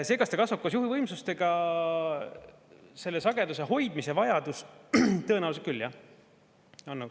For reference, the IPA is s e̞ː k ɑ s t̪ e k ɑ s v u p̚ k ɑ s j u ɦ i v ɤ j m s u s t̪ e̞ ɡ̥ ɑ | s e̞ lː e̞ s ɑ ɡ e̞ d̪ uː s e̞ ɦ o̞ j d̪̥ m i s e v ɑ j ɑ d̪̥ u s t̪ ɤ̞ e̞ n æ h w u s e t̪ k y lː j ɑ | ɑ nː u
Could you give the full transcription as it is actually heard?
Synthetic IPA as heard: s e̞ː k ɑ s t̪ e k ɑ s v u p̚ k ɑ s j u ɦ i v ɤ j m s u s t̪ e̞ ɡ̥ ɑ | s e̞ lː e̞ s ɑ ɡ e̞ d̪ u s e̞ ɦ o̞ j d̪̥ m i s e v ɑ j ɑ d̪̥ u s t̪ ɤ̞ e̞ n æ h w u s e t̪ k y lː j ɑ | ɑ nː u